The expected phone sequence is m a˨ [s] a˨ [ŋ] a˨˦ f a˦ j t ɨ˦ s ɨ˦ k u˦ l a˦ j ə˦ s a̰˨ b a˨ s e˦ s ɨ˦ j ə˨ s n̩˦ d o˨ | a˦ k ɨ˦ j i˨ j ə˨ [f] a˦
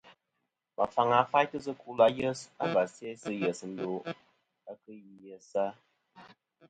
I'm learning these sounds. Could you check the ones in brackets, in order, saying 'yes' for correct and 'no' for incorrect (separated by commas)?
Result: no, yes, no